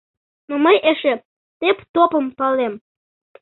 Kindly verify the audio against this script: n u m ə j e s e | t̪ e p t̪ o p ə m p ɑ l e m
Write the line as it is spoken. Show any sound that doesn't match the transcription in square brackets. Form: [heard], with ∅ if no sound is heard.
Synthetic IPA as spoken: n [o] m ə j e [ʃ] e | t̪ e p t̪ o p ə m p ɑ l e m